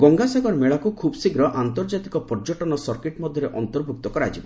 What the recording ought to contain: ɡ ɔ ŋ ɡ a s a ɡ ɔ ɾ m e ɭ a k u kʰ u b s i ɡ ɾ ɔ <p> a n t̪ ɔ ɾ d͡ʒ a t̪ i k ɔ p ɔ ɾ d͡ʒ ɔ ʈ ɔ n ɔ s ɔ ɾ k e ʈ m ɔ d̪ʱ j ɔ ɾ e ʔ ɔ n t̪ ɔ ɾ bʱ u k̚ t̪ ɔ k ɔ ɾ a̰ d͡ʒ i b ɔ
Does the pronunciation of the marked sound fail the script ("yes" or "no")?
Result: yes